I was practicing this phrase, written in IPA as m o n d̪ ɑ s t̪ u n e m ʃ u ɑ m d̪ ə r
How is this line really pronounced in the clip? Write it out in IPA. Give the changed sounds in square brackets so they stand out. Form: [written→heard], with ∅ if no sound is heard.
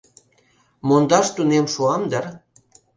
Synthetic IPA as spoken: m o n d̪ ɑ [s→ʃ] t̪ u n e m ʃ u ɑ m d̪ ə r